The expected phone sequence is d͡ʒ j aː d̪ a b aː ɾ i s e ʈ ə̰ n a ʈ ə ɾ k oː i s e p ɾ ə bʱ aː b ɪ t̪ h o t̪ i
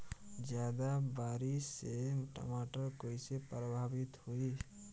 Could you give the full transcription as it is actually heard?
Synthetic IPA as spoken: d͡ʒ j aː d̪ a b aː ɾ i s e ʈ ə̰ m a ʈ ə ɾ k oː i s e p ɾ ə bʱ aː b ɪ t̪ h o i